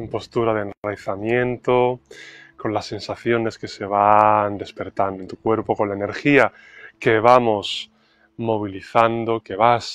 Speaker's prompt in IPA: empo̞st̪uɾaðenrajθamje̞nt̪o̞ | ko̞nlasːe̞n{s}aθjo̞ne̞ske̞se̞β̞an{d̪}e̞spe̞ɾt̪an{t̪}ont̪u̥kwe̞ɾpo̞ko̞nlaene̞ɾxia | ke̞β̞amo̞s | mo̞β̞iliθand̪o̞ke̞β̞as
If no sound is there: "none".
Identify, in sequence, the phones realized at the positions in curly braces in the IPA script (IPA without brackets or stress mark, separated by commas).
s, d̪, d̪